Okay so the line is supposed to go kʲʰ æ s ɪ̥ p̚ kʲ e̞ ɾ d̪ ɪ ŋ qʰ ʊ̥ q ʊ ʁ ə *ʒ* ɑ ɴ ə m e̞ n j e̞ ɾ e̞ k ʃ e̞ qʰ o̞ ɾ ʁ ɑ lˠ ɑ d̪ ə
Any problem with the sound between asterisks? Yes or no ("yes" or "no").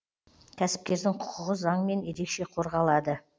yes